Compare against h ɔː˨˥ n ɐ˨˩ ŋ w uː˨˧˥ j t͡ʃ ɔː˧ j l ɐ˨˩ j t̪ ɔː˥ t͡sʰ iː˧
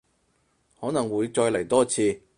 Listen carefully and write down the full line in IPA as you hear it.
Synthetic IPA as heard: h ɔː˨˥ n ɐ˨˩ ŋ w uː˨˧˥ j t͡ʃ ɔː˧ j l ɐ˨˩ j t̪ ɔː˥ t͡sʰ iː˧